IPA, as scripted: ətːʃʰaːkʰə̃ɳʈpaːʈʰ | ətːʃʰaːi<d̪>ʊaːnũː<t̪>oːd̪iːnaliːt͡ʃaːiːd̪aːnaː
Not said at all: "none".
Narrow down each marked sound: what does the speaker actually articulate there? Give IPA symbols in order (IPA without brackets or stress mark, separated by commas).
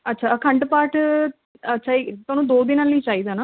t̪, d̪